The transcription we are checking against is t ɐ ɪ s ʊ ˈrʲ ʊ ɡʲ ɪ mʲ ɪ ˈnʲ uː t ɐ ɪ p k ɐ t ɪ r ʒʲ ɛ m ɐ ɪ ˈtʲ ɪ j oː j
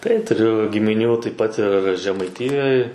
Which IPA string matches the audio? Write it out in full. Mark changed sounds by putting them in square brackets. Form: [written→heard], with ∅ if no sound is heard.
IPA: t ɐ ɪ [s→t] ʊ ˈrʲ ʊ ɡʲ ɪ mʲ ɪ ˈnʲ uː t ɐ ɪ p [k→p] ɐ t ɪ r ʒʲ ɛ m ɐ ɪ ˈtʲ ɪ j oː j